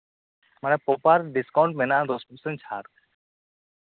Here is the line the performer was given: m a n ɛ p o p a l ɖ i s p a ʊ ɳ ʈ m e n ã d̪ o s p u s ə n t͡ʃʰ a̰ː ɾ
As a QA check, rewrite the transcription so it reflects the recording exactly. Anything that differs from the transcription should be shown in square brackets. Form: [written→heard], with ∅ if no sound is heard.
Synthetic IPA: m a n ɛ p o p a [l→ɾ] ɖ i s [p→k] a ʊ ɳ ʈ m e n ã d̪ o s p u s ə n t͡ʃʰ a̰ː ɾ